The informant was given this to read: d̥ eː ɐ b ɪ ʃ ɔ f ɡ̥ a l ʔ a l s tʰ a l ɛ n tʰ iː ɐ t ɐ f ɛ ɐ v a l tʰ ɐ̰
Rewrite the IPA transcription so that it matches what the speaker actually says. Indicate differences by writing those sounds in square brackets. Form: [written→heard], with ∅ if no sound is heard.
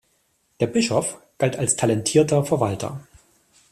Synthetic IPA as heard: d̥ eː ɐ b ɪ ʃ ɔ f ɡ̥ a l [ʔ→t] a l s tʰ a l ɛ n tʰ iː ɐ t ɐ f ɛ ɐ v a l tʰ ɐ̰